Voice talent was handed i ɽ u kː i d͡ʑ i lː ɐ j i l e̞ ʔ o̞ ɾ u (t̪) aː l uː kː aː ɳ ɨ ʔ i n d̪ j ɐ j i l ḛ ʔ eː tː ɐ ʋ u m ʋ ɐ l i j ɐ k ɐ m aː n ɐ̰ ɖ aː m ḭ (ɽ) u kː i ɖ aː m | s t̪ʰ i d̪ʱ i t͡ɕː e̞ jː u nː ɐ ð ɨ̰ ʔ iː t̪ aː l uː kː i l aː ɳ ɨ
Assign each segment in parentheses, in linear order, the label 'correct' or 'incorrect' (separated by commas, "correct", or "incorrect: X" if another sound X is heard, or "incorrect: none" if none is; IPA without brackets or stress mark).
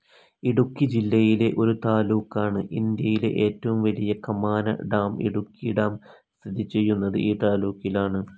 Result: correct, correct